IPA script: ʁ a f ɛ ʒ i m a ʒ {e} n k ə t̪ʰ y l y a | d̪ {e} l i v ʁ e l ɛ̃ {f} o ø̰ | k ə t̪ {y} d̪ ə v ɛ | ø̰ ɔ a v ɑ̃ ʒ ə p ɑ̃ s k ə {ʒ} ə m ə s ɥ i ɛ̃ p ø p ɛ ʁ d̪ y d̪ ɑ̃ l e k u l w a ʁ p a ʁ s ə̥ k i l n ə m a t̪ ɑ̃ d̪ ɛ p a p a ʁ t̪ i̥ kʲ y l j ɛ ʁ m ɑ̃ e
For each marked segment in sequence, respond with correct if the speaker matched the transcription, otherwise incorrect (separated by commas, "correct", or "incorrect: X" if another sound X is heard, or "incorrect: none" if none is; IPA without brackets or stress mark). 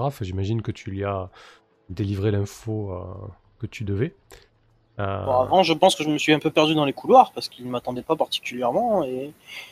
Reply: incorrect: i, correct, correct, correct, correct